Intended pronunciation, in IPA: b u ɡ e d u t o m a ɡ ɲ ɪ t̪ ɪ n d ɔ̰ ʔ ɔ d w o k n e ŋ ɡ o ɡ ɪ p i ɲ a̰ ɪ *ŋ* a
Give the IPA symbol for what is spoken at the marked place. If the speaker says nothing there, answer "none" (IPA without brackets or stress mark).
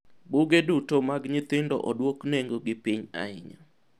ɲ